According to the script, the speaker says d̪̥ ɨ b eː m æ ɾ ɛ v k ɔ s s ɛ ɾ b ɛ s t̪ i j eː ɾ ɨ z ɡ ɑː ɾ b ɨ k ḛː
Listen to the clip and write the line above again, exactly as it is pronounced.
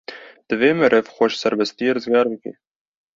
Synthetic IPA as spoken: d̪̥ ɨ v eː m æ ɾ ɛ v x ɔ ʃ s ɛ ɾ b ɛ s t̪ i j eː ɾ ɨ z ɡ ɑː ɾ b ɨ k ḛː